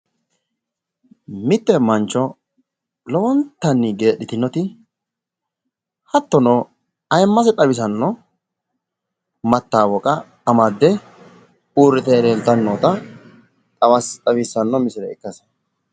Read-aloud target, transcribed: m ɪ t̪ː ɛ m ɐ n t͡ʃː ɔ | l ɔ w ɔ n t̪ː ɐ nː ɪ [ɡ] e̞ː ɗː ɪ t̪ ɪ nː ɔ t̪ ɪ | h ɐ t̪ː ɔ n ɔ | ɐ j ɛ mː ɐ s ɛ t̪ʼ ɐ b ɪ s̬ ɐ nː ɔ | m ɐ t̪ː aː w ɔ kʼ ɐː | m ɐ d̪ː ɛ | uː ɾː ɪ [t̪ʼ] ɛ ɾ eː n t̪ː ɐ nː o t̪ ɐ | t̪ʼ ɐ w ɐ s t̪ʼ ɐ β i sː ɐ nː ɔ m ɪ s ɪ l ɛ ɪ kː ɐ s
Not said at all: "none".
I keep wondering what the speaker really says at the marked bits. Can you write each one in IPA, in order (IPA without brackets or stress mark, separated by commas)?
ɡ, t̪